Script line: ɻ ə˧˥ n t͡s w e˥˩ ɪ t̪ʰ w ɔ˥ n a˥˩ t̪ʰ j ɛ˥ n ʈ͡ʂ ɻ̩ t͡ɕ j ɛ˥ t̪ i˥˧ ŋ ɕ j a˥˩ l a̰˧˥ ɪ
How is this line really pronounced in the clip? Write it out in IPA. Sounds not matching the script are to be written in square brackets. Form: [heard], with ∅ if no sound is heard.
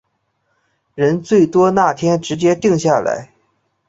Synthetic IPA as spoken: ɻ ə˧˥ n t͡s w e˥˩ ɪ [t̪] w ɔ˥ n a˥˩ t̪ʰ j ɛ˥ n ʈ͡ʂ ɻ̩ t͡ɕ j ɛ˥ t̪ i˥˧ ŋ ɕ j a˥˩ l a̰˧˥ ɪ